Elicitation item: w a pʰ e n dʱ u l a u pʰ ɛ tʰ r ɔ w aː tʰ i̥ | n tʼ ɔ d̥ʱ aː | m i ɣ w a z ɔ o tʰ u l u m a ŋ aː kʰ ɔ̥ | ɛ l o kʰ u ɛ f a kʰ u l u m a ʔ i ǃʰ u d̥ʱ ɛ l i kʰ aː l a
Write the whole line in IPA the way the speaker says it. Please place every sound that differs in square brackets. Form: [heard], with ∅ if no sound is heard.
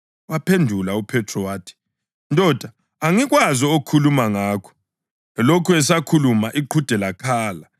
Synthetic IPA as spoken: w a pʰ e n dʱ u l a u pʰ ɛ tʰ r ɔ w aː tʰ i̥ | n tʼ ɔ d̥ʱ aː | [ŋ] i ɣ w a z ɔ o [kʰ] u l u m a ŋ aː kʰ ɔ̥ | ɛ l o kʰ u ɛ [s] a kʰ u l u m a ʔ i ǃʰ u d̥ʱ ɛ l [a] kʰ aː l a